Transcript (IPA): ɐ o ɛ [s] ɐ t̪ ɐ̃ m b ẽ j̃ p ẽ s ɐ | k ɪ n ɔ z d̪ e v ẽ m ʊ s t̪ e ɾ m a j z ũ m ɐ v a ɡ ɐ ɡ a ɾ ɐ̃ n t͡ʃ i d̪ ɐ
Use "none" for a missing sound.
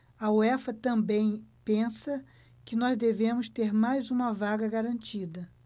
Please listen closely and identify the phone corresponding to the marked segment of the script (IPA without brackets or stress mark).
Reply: f